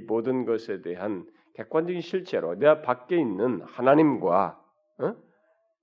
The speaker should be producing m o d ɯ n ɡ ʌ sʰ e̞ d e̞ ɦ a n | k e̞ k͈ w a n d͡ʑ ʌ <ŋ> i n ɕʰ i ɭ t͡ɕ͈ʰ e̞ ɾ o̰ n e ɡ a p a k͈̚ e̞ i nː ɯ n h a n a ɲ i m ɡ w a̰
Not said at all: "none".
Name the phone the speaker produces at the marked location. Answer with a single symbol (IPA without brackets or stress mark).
ɡ